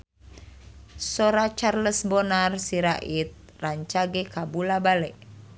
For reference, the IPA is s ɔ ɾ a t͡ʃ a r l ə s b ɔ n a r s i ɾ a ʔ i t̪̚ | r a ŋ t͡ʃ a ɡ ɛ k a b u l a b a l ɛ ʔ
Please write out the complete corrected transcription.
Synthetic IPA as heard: s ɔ ɾ a t͡ʃ a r l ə s b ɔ n a r s i ɾ a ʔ i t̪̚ | r a ɲ t͡ʃ a ɡ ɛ k a b u l a b a l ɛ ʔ